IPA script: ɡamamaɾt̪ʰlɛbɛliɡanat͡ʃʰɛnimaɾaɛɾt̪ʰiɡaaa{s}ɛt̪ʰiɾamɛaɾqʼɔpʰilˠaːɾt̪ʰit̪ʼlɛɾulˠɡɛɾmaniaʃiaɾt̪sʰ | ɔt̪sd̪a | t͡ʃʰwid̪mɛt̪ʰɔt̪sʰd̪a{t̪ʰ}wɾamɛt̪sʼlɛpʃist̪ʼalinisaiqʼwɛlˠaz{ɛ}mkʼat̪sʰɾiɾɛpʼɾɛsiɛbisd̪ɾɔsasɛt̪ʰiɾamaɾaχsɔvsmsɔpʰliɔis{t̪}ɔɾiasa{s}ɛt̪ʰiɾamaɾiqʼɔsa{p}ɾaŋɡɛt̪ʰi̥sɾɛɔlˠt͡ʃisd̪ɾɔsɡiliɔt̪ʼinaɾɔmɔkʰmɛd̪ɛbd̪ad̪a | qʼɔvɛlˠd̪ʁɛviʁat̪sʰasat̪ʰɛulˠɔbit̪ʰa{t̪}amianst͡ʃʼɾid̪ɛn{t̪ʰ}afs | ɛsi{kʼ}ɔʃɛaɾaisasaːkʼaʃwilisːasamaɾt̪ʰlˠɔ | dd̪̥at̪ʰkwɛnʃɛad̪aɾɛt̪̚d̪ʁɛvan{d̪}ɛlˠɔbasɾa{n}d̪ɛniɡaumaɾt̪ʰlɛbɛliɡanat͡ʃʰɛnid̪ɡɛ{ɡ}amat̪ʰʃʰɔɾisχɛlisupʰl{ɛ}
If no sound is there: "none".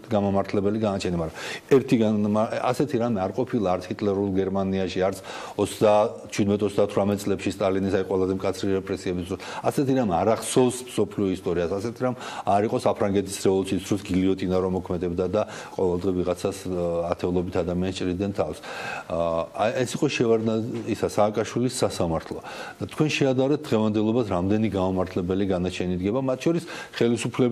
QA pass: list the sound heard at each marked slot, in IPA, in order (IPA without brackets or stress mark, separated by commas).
s, t̪ʰ, ɛ, t̪ʼ, s, pʰ, d̪, t̪ʰ, qʼ, d̪, m, b, ɛ